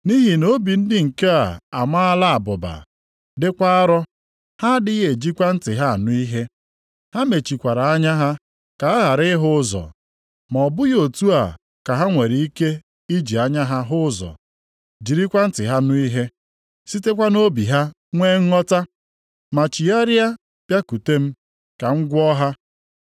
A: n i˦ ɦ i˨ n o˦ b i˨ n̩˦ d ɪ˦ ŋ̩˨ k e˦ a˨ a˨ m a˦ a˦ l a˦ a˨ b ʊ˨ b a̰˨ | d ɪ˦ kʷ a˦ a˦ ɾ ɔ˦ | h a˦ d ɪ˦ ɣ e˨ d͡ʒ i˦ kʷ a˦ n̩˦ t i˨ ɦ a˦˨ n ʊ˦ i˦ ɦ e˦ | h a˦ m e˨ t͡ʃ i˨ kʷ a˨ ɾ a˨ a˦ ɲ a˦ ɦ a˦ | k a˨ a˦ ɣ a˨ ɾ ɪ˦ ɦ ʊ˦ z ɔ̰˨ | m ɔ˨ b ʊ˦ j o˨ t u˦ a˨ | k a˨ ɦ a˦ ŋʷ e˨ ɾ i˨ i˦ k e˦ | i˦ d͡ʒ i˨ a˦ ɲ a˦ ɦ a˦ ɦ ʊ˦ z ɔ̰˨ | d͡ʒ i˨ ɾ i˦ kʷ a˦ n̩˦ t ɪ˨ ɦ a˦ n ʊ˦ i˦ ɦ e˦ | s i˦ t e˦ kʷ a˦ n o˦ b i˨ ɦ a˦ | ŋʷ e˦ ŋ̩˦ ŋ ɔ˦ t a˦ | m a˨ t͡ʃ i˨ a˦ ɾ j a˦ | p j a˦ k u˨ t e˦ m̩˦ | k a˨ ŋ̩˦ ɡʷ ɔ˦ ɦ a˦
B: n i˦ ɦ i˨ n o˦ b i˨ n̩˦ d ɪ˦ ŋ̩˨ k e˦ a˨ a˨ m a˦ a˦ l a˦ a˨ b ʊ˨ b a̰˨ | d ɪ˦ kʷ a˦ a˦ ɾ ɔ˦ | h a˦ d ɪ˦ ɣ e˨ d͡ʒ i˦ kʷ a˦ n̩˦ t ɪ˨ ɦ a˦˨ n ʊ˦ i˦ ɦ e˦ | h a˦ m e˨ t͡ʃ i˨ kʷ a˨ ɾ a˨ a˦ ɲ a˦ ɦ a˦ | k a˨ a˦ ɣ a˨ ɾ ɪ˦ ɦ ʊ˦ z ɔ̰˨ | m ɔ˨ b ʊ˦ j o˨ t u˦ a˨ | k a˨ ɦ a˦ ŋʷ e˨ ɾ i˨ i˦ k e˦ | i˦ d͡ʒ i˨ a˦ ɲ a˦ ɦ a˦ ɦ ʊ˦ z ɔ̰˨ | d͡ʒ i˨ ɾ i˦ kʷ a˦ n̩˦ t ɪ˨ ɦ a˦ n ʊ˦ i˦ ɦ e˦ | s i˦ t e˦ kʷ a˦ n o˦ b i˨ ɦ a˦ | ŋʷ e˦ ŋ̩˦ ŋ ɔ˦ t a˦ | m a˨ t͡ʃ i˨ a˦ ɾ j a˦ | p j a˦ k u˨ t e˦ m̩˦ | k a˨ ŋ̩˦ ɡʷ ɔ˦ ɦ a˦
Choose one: B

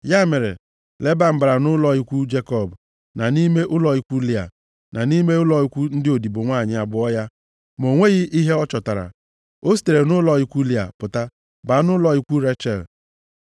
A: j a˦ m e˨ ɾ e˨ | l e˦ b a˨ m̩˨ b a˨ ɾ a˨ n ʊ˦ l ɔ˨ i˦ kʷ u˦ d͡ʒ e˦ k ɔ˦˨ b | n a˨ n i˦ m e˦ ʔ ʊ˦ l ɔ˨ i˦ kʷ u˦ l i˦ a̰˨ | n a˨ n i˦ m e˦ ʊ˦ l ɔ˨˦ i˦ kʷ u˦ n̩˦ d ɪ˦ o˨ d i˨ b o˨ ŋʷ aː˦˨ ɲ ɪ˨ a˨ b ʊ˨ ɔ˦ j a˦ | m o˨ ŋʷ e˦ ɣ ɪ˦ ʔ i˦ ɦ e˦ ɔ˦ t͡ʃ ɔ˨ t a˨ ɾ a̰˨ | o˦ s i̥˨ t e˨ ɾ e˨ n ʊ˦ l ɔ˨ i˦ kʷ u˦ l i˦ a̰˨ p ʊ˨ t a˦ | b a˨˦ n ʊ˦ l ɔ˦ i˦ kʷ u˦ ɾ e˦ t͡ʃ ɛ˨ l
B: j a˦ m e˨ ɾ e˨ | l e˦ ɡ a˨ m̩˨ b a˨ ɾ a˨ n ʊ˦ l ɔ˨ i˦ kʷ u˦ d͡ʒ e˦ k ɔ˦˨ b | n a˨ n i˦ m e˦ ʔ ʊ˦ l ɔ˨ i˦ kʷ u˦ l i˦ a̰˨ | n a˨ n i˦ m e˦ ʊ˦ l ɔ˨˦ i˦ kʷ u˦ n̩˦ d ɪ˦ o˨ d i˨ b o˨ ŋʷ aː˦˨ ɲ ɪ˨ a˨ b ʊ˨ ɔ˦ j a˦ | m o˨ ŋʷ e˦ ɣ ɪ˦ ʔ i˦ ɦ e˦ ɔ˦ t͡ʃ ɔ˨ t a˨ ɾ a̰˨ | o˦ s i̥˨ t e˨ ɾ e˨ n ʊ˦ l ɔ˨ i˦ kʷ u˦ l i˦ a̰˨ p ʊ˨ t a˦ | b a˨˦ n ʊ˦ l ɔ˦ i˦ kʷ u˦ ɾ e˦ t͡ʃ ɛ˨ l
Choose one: A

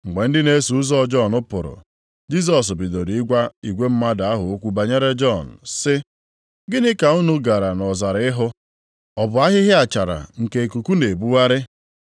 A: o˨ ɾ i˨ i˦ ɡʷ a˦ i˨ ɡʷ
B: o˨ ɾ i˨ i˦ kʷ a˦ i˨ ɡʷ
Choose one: A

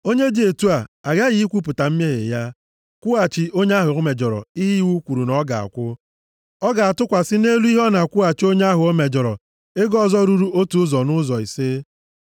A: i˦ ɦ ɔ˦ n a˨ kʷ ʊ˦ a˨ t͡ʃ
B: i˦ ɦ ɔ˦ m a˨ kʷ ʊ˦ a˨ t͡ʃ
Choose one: A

